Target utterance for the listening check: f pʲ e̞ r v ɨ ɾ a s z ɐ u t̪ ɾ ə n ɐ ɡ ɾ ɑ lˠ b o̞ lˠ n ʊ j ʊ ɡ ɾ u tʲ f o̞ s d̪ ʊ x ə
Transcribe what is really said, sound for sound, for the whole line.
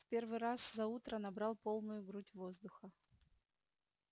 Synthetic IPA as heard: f pʲ e̞ r v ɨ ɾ a s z ɐ u t̪ ɾ ə n ɐ b ɾ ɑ lˠ p o̞ lˠ n ʊ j ʊ ɡ ɾ u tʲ v o̞ z d̪ ʊ x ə